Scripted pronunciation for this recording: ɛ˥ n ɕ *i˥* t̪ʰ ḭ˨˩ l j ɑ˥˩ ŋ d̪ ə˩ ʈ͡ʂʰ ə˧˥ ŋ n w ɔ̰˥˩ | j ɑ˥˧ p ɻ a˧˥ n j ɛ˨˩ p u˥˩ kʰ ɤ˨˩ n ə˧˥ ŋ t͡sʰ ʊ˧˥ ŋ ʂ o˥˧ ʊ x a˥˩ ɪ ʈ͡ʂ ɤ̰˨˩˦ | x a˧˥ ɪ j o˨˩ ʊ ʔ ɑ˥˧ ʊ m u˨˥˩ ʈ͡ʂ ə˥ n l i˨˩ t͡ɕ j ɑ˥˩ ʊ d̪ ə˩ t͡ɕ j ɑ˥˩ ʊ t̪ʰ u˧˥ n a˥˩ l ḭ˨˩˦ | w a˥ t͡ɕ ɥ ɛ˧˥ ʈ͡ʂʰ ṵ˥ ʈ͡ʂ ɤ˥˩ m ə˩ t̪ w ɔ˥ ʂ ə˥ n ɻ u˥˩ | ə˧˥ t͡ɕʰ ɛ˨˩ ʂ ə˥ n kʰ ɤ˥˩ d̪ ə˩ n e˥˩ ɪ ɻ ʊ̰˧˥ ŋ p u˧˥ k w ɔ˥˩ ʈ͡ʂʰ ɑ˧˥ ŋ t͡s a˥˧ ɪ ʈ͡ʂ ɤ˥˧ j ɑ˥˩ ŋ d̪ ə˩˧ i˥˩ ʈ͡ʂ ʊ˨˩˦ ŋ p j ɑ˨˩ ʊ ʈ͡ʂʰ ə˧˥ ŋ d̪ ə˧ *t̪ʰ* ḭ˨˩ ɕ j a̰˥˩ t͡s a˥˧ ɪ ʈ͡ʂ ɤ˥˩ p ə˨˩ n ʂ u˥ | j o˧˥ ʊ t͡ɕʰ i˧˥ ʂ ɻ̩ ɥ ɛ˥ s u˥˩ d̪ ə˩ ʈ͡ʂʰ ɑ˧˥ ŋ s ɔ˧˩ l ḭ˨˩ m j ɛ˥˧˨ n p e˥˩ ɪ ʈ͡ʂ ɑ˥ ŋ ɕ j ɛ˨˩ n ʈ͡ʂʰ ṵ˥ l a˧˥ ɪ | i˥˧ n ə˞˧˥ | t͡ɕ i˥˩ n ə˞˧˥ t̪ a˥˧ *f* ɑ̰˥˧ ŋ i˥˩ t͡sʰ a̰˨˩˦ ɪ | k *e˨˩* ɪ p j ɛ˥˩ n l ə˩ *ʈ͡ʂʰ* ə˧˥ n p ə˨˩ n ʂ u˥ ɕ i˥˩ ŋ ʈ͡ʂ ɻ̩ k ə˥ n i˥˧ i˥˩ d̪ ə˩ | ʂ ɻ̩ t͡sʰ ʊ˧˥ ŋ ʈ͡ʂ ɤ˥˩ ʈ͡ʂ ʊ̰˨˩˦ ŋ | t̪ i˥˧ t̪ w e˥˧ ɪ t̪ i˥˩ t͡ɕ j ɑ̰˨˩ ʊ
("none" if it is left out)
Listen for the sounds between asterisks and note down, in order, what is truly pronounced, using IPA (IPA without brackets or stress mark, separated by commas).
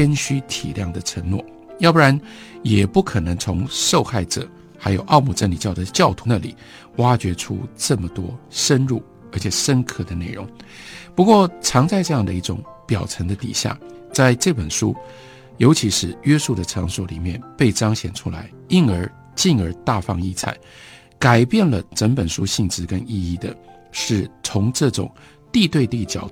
y˥, t̪, f, a˨˩, ʈ͡ʂ